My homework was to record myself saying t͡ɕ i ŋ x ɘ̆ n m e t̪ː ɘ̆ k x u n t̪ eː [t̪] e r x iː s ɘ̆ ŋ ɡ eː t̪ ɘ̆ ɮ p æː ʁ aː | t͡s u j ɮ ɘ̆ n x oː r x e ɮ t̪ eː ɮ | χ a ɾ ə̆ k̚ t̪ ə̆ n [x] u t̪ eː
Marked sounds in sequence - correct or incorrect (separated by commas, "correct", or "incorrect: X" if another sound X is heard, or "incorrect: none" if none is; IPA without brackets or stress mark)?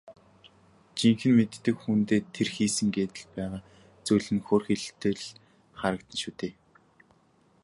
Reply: incorrect: t̪ʰ, incorrect: ʃ